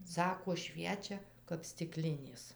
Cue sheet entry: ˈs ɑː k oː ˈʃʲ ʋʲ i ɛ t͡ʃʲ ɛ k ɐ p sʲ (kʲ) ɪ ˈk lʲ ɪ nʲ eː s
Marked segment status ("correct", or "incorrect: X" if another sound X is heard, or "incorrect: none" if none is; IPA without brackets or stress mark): incorrect: tʲ